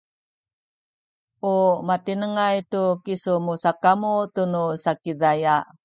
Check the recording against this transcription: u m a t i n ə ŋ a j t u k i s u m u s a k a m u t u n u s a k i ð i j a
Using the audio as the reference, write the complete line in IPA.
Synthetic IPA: u m a t i n ə ŋ a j t u k i s u m u s a k a m u t u n u s a k i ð a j a